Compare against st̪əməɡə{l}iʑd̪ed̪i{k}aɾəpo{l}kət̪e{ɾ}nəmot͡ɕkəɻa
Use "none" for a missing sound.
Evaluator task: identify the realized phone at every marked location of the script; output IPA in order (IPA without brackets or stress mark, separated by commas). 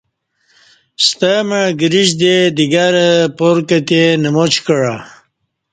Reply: ɾ, ɡ, ɾ, none